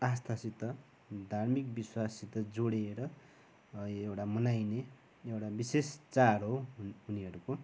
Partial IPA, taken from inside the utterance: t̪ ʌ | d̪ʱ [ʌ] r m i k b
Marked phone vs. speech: incorrect: a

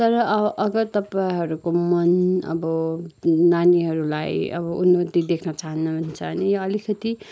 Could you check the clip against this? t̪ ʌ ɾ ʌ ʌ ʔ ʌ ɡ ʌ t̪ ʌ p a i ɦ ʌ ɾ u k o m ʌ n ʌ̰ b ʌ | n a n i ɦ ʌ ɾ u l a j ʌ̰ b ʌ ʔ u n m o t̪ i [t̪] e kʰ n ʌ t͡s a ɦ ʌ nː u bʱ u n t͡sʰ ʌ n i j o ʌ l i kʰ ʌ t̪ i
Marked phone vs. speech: incorrect: d̪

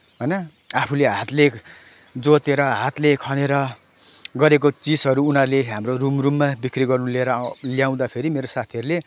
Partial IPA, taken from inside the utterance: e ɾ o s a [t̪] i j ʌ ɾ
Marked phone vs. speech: incorrect: t̪ʰ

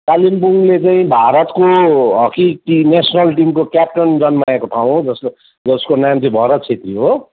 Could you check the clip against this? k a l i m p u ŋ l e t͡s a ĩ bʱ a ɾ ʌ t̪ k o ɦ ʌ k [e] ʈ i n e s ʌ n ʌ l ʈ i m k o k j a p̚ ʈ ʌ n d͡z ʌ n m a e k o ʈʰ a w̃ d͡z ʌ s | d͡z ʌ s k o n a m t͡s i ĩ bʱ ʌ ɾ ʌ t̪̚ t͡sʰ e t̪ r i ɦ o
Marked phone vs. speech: incorrect: i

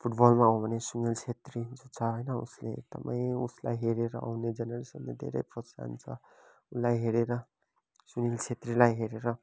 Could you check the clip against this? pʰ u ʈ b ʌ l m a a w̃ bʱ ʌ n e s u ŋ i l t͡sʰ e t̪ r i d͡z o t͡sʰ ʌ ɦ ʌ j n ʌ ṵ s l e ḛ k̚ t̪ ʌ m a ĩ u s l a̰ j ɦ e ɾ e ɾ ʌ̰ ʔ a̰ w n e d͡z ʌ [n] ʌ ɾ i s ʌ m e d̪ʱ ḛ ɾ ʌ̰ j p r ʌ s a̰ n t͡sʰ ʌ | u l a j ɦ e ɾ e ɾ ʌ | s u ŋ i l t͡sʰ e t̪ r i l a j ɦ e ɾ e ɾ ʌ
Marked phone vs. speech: correct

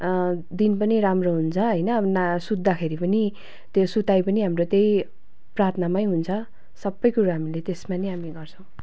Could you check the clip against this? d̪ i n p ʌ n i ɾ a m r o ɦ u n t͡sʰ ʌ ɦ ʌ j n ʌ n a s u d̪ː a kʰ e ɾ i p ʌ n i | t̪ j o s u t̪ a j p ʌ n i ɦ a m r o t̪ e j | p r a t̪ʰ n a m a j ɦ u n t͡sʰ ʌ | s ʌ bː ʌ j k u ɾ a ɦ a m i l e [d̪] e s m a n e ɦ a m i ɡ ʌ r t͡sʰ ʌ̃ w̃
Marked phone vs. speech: incorrect: t̪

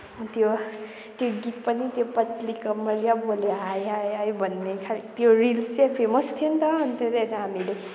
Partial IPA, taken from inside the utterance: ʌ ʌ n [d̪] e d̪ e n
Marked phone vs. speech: incorrect: t̪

